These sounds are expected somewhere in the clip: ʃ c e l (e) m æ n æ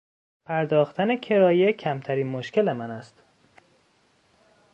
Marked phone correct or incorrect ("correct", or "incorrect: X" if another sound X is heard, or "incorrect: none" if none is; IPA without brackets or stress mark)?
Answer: correct